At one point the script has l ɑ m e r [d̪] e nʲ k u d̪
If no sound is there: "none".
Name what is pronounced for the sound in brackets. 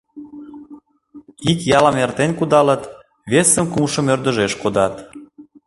t̪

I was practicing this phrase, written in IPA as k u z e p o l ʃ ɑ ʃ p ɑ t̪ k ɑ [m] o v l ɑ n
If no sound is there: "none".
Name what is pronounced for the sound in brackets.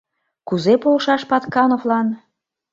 n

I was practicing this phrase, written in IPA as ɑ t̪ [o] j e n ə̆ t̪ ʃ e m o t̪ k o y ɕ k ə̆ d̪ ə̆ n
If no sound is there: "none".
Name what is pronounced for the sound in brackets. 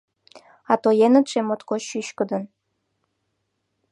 o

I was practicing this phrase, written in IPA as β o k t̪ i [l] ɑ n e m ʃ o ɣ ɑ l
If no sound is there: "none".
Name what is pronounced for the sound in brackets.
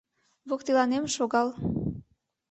l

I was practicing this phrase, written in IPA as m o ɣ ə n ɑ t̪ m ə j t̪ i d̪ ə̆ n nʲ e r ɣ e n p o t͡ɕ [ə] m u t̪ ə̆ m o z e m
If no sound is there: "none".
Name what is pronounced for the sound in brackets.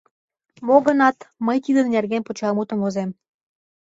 ɑ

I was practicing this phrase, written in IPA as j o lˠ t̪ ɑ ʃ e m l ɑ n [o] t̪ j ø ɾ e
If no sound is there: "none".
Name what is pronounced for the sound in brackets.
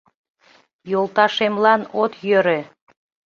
o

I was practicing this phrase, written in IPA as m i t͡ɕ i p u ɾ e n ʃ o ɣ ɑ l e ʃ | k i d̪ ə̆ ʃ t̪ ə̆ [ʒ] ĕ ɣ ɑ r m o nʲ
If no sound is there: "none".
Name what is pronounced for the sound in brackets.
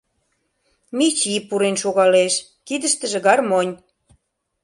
ʒ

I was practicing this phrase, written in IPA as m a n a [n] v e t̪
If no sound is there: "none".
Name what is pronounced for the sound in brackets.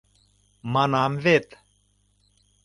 m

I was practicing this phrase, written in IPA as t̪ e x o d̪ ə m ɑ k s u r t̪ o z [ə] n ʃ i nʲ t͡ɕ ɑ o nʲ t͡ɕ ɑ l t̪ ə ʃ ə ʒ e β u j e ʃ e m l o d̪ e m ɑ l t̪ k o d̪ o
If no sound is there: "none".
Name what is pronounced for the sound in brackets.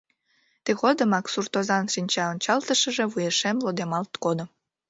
ɑ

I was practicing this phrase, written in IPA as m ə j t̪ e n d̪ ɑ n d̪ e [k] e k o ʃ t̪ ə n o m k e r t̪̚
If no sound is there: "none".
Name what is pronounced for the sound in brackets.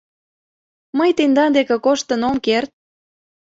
k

